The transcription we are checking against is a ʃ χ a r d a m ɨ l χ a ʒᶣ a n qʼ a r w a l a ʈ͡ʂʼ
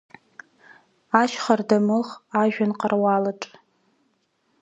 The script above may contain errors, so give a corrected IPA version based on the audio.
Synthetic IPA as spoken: a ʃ χ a r d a m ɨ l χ a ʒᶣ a n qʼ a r w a l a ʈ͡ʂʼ